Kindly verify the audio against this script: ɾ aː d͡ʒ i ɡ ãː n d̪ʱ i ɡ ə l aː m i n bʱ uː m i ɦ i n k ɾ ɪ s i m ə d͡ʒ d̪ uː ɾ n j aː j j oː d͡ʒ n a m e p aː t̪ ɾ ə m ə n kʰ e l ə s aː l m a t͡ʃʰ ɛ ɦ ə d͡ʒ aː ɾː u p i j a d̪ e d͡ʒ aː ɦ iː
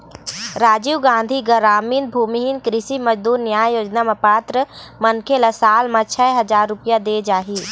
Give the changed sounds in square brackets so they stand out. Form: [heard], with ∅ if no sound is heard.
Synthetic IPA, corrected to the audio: ɾ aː d͡ʒ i ɡ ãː n d̪ʱ i ɡ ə [ɾ] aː m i n bʱ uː m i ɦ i n k ɾ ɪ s i m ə d͡ʒ d̪ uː ɾ n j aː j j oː d͡ʒ n a m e p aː t̪ ɾ ə m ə n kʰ e l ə s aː l m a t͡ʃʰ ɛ ɦ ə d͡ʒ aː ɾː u p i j a d̪ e d͡ʒ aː ɦ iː

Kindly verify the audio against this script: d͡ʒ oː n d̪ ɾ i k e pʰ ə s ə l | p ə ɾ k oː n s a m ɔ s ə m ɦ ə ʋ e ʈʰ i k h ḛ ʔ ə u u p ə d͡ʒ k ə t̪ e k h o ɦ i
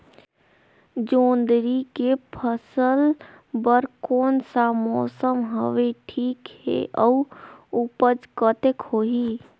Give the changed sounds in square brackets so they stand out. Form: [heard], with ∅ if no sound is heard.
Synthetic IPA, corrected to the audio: d͡ʒ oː n d̪ ɾ i k e pʰ ə s ə l | [b] ə ɾ k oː n s a m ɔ s ə m ɦ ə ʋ e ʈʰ i k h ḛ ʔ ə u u p ə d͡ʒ k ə t̪ e k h o ɦ i

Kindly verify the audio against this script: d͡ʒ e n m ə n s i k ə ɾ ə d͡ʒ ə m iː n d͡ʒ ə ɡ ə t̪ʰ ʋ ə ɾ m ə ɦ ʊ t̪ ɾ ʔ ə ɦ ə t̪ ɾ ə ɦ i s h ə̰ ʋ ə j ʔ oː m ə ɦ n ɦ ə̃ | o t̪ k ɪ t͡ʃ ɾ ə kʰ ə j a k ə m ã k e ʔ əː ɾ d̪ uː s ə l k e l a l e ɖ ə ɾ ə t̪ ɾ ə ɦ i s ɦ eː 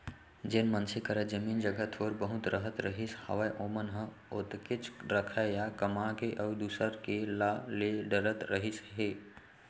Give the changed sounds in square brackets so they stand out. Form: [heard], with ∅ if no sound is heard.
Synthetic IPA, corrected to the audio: d͡ʒ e n m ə n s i k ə ɾ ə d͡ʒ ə m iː n d͡ʒ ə ɡ ə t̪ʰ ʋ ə ɾ [b] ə ɦ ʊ t̪ ɾ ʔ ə ɦ ə t̪ ɾ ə ɦ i s h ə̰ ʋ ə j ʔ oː m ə [∅] n ɦ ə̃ | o t̪ k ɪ t͡ʃ ɾ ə kʰ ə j a k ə m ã k e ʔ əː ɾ d̪ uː s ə [ɾ] k e l a l e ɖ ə ɾ ə t̪ ɾ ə ɦ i s ɦ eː

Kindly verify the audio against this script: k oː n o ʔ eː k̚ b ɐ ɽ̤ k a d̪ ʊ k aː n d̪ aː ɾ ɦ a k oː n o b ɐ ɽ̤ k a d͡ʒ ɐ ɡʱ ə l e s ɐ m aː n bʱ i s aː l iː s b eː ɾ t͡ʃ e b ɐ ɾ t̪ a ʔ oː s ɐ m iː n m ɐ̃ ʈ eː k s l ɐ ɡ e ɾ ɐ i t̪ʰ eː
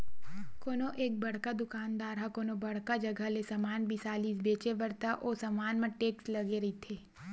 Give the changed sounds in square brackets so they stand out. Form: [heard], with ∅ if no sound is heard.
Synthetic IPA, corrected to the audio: k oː n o ʔ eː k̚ b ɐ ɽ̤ k a d̪ ʊ k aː n d̪ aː ɾ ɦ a k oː n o b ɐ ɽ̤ k a d͡ʒ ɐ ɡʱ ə l e s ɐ m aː n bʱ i s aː l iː s b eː [∅] t͡ʃ e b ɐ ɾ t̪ a ʔ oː s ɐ m [aː] n m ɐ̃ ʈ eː k s l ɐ ɡ e ɾ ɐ i t̪ʰ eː

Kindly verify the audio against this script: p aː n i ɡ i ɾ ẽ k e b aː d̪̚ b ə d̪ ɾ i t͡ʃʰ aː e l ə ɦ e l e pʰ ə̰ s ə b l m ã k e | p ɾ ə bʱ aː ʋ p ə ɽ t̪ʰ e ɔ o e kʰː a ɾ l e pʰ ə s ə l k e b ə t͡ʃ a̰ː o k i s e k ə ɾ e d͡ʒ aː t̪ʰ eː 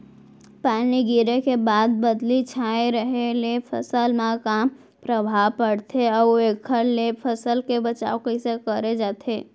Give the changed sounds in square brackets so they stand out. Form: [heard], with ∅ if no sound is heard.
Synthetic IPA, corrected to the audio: p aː n i ɡ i ɾ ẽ k e b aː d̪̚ b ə d̪ [l] i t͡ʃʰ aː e [ɾ] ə ɦ e l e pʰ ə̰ s ə [∅] l m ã k [a] | p ɾ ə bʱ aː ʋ p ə ɽ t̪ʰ e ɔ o e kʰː [ə] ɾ l e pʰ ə s ə l k e b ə t͡ʃ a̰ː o k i s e k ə ɾ e d͡ʒ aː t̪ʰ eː

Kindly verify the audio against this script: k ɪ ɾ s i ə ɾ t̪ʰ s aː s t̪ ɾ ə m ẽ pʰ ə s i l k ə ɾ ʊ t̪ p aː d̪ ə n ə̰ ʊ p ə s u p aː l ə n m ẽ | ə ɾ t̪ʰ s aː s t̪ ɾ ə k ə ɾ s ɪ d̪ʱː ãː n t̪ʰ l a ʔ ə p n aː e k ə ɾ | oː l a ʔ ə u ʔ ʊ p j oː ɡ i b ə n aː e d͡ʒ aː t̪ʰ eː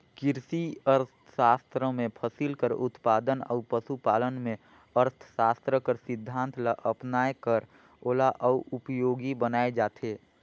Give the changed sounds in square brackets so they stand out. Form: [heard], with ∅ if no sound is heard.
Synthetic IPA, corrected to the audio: k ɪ ɾ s i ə ɾ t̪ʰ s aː s t̪ ɾ ə m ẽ pʰ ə s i l k ə ɾ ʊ t̪ p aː d̪ ə n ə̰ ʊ p ə s u p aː l ə n m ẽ | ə ɾ t̪ʰ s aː s t̪ ɾ ə k ə ɾ s ɪ d̪ʱː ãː n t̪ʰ l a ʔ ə p n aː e k ə ɾ | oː l a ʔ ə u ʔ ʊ p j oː ɡ i b ə n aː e d͡ʒ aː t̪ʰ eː

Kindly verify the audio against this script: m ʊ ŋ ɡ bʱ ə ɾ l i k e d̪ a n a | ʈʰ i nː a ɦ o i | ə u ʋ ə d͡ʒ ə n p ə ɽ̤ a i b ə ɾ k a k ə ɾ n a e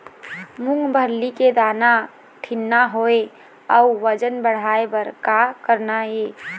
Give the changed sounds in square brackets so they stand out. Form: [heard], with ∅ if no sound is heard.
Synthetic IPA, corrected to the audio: m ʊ ŋ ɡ bʱ ə ɾ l i k e d̪ a n a | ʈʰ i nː a ɦ o [e] | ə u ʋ ə d͡ʒ ə n [b] ə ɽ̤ a [e] b ə ɾ k a k ə ɾ n a e

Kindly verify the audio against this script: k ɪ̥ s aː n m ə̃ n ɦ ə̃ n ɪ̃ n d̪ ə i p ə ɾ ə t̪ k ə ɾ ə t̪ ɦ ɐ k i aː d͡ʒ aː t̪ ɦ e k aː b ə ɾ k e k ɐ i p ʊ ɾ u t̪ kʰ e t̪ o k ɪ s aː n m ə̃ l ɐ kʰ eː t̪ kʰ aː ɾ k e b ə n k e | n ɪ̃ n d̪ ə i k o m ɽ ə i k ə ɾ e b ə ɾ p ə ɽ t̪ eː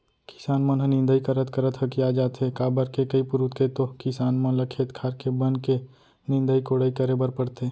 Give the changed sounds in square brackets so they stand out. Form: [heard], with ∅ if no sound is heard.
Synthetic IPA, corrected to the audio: k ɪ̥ s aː n m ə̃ n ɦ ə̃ n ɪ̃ n d̪ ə i [k] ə ɾ ə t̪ k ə ɾ ə t̪ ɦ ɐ k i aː d͡ʒ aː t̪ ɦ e k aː b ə ɾ k e k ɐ i p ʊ ɾ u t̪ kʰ e t̪ o k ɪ s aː n m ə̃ l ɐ kʰ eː t̪ kʰ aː ɾ k e b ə n k e | n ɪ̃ n d̪ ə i k o [∅] ɽ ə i k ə ɾ e b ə ɾ p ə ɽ t̪ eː

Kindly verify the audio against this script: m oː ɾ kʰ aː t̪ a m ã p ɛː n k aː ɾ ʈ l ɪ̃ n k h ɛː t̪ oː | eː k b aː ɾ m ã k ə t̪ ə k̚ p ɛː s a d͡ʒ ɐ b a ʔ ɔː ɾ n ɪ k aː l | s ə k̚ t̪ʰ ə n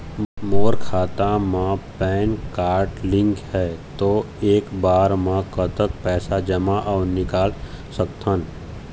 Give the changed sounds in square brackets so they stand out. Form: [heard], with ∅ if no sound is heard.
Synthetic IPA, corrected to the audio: m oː ɾ kʰ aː t̪ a m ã p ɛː n k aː ɾ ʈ l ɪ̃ [ŋ] k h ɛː t̪ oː | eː k b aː ɾ m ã k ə t̪ ə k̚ p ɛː s a d͡ʒ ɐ [m] a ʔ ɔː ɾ n ɪ k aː l | s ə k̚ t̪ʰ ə n

